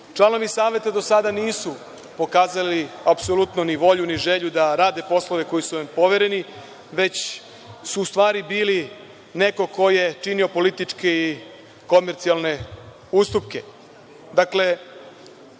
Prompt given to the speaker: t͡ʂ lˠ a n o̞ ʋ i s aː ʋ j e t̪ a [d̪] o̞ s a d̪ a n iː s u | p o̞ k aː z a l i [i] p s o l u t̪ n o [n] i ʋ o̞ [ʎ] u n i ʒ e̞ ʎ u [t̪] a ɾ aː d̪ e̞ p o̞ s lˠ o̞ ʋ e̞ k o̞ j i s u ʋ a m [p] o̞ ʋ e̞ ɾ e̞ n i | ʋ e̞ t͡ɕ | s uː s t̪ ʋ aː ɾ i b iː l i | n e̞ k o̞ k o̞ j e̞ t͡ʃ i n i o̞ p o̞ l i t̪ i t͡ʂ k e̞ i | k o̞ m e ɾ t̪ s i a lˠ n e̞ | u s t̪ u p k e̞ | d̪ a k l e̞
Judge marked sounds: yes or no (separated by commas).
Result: yes, no, yes, yes, no, yes